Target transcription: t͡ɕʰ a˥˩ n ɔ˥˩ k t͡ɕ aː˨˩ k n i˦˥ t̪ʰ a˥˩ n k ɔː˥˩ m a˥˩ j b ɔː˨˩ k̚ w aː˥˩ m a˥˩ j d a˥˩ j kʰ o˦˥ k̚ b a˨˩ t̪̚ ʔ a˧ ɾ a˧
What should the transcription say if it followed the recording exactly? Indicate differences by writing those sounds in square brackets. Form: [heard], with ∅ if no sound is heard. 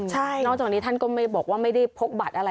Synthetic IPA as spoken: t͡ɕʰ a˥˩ n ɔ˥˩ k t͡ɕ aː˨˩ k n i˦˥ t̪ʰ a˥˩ n k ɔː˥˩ m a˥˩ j b ɔː˨˩ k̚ w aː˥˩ m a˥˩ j d a˥˩ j [pʰ] o˦˥ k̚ b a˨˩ t̪̚ ʔ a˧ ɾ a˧